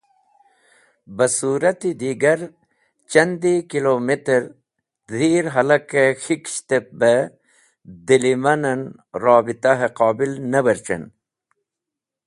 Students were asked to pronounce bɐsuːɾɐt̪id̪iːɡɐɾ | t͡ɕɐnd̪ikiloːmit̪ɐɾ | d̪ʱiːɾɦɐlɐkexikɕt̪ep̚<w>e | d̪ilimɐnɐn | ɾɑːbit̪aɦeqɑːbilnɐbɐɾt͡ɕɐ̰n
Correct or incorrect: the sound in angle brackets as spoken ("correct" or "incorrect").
incorrect